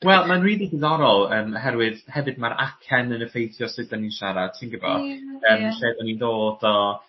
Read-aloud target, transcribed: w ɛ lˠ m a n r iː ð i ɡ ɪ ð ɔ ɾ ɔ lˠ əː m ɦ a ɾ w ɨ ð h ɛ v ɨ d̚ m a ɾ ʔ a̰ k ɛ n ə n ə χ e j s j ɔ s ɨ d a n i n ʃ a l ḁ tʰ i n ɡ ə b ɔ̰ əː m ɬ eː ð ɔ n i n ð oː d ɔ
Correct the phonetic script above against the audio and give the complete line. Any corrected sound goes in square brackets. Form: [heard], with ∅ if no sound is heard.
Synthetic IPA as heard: w ɛ lˠ m a n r iː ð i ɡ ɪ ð ɔ ɾ ɔ lˠ əː m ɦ [ɛ] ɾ w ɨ ð h ɛ v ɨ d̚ m a ɾ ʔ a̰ [kʰ] ɛ n ə n ə [f] e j [θ] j ɔ s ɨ d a n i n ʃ a [ɾ] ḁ tʰ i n ɡ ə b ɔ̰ əː m ɬ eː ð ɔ n i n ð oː d ɔ